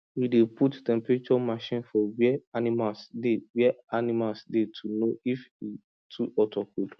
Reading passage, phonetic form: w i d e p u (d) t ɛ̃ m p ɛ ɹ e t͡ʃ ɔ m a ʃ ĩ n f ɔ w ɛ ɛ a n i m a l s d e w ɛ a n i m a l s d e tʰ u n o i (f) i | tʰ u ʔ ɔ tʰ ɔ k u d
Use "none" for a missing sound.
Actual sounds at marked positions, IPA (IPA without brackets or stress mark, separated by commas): t, f